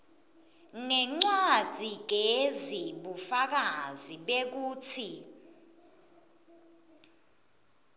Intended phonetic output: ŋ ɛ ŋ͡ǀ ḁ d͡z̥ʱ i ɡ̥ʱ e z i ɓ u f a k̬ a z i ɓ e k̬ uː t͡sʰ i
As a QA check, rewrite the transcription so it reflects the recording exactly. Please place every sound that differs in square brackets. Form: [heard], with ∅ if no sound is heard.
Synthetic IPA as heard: ŋ ɛ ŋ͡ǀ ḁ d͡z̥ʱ i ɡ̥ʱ e z i ɓ u f a k̬ a z i ɓ e k̬ uː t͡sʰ i